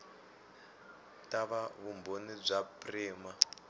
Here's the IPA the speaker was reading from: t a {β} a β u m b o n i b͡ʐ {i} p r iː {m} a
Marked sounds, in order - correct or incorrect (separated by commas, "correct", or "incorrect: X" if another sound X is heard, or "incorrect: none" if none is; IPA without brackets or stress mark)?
correct, incorrect: a, correct